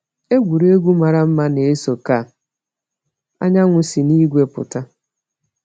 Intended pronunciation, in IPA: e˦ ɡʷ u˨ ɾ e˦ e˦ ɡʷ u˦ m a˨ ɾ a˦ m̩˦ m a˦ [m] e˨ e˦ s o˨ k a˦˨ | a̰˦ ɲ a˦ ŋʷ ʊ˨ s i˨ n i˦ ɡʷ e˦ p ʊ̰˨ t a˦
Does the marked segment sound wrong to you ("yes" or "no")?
yes